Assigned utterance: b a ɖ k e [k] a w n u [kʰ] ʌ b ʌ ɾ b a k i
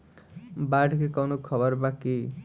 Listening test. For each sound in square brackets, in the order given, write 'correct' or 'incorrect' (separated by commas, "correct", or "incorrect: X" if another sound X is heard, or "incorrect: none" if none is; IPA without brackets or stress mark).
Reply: correct, correct